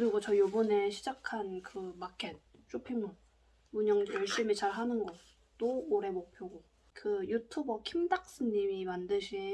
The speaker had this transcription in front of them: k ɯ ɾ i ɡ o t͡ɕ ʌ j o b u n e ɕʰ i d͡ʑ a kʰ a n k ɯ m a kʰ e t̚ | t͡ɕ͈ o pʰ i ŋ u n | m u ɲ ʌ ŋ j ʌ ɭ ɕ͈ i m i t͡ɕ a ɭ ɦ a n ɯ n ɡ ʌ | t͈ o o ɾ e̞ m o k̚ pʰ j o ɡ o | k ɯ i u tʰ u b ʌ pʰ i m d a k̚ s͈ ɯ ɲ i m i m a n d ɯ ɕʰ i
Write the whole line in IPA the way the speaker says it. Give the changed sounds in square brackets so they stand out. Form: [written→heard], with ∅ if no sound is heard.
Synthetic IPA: k ɯ ɾ i ɡ o t͡ɕ ʌ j o b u n e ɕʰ i d͡ʑ a kʰ a n k ɯ m a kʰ e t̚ | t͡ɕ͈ o pʰ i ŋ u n | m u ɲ ʌ ŋ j ʌ ɭ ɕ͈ i m i t͡ɕ a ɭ ɦ a n ɯ n ɡ ʌ | t͈ o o ɾ e̞ m o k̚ pʰ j o ɡ o | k ɯ [i→j] u tʰ u b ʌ [pʰ→kʰ] i m d a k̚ s͈ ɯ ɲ i m i m a n d ɯ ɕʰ i

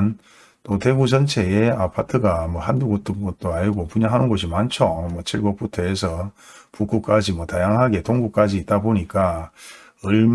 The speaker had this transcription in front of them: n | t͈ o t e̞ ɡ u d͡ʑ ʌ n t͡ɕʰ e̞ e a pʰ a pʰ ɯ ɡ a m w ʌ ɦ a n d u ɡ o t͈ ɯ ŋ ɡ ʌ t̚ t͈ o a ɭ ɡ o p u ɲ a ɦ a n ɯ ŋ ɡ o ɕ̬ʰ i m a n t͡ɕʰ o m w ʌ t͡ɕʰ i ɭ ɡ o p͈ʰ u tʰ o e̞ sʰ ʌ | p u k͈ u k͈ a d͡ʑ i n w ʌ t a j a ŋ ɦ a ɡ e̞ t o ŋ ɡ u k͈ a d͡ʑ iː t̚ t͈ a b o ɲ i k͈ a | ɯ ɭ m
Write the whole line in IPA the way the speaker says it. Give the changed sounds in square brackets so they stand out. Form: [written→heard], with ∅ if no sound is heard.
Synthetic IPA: n | t͈ o t e̞ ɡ u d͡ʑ ʌ n t͡ɕʰ e̞ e a pʰ a [pʰ→tʰ] ɯ ɡ a m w ʌ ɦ a n d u ɡ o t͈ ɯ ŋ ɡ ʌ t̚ t͈ o a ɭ ɡ o p u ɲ a ɦ a n ɯ [ŋ→n] ɡ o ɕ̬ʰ i m a n t͡ɕʰ o m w ʌ t͡ɕʰ i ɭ ɡ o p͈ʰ u tʰ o e̞ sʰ ʌ | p u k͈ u k͈ a d͡ʑ i [n→m] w ʌ t a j a ŋ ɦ a ɡ e̞ t o ŋ ɡ u k͈ a d͡ʑ iː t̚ t͈ a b o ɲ i k͈ a | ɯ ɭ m

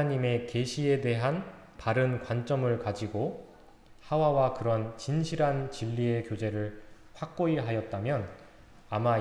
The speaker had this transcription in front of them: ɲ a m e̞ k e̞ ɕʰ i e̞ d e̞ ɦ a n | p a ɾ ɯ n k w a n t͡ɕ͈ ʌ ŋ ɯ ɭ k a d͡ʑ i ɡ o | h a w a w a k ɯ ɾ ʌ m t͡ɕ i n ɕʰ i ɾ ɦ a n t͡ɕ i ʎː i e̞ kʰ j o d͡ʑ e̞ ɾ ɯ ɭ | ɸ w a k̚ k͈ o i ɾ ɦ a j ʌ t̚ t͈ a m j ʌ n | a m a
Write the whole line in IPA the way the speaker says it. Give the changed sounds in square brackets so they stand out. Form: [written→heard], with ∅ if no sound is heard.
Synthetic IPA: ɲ [a→i] m e̞ k e̞ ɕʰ i e̞ d e̞ ɦ a n | p a ɾ ɯ n k w a n t͡ɕ͈ ʌ [ŋ→m] ɯ ɭ k a d͡ʑ i ɡ o | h a w a w a k ɯ ɾ ʌ [m→n] t͡ɕ i n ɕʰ i ɾ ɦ a n t͡ɕ i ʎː i e̞ [kʰ→k] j o d͡ʑ e̞ ɾ ɯ ɭ | ɸ w a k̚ k͈ o i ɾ ɦ a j ʌ t̚ t͈ a m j ʌ n | a m a

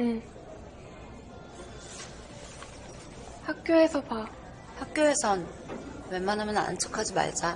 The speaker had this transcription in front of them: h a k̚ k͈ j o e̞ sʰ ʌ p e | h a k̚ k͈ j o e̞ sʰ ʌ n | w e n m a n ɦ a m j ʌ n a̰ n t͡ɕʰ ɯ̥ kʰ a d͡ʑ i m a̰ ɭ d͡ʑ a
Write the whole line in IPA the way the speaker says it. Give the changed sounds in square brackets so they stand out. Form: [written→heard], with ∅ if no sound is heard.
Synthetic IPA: h a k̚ k͈ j o e̞ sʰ ʌ p [e→a] | h a k̚ k͈ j o e̞ sʰ ʌ n | w e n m a n ɦ a m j ʌ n a̰ n t͡ɕʰ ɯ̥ kʰ a d͡ʑ i m a̰ ɭ d͡ʑ a

